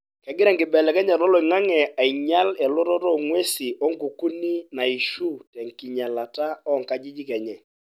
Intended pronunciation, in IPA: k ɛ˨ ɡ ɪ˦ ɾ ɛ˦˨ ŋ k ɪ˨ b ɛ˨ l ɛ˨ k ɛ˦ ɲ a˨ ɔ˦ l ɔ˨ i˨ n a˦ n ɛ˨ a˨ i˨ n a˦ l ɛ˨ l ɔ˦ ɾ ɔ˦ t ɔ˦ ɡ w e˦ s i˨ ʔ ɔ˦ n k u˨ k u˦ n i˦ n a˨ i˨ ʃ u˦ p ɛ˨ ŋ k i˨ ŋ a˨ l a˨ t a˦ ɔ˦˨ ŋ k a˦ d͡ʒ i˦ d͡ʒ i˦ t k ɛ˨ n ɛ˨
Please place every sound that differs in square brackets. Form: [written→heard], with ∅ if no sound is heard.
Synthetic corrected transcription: k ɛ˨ ɡ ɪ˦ ɾ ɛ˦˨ ŋ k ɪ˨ b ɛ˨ l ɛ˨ k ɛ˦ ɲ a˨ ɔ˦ l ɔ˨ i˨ [n→ŋ] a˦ [n→ŋ] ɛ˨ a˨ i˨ [n→ɲ] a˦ l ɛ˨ l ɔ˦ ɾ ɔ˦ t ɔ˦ [ɡ→ŋ] w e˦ s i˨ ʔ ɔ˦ [n→ŋ] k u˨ k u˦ n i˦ n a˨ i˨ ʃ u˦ [p→t] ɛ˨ ŋ k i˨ [ŋ→ɲ] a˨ l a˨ t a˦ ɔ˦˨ ŋ k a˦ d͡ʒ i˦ d͡ʒ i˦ [t→∅] k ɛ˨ [n→ɲ] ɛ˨